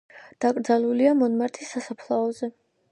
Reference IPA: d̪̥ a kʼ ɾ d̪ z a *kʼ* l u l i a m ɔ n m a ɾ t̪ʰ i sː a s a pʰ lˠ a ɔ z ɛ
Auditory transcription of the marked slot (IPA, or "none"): none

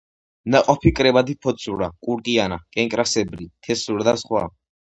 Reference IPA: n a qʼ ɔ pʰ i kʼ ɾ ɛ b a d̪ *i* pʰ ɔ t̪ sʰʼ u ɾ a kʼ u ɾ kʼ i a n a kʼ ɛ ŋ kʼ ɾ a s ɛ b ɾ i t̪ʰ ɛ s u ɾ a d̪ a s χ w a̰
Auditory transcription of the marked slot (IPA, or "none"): i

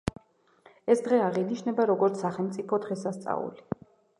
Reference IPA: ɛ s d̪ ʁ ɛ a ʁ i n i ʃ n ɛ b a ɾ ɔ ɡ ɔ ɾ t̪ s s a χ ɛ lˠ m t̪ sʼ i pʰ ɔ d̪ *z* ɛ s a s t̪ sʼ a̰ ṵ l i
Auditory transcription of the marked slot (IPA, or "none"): ʁ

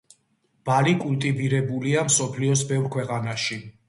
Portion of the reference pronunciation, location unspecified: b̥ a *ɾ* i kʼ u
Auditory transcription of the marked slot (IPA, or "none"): l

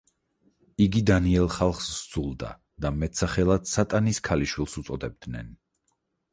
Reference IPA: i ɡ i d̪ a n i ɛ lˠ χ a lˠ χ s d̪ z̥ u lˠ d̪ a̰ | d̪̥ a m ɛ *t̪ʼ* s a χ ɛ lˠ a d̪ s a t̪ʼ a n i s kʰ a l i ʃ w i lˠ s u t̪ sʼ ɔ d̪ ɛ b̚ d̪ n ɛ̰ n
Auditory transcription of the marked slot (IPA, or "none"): t̪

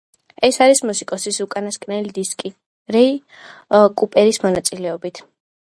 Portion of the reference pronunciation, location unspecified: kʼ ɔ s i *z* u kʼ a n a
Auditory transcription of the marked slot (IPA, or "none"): s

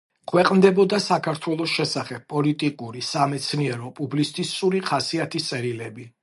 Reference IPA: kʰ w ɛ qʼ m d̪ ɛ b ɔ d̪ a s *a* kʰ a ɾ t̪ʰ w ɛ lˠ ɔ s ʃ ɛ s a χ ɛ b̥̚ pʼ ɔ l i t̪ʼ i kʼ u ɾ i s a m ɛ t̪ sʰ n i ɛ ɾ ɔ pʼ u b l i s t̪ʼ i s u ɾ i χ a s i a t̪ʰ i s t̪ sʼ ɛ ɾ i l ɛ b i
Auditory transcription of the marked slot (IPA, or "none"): a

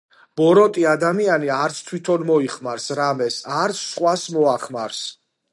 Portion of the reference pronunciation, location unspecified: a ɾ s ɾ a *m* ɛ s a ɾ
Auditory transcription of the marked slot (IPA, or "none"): m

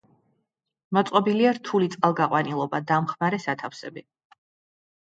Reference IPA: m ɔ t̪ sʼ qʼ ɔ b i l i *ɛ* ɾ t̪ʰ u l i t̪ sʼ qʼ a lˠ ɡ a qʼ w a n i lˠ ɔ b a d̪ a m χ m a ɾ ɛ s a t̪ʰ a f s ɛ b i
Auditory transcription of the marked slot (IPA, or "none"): a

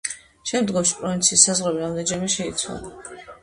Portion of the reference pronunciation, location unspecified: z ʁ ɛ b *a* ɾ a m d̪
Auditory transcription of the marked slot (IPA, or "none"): i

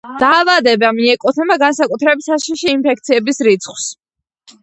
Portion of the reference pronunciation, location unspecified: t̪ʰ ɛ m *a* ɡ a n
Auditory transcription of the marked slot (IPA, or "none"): a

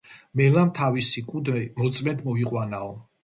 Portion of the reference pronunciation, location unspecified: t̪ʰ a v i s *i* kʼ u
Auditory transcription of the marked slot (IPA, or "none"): i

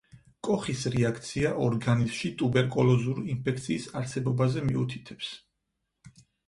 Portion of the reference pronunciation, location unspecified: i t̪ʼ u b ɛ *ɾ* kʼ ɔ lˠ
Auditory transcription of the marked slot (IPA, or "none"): ɾ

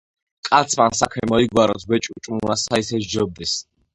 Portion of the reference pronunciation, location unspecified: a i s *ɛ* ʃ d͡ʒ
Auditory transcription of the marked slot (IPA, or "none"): ɛ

